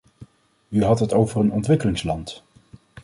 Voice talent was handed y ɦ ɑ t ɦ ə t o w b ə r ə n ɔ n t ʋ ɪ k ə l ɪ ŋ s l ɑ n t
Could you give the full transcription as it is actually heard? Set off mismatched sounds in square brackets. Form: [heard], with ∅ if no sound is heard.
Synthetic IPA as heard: y ɦ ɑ t ɦ ə t o w [v] ə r ə n ɔ n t ʋ ɪ k ə l ɪ ŋ s l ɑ n t